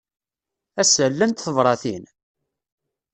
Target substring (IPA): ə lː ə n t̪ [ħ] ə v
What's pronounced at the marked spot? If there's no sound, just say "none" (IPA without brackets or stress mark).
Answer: θ